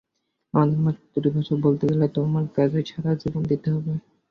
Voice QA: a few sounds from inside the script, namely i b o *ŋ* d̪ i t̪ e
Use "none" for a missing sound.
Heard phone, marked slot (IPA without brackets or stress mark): n